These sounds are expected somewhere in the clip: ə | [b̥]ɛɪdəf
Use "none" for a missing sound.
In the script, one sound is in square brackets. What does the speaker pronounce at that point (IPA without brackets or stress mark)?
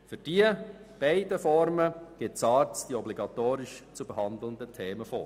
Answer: b̥